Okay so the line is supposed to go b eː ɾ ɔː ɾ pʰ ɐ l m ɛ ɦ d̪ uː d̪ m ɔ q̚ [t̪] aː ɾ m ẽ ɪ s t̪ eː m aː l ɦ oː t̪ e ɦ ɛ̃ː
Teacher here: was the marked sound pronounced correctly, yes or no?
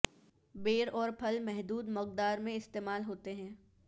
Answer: no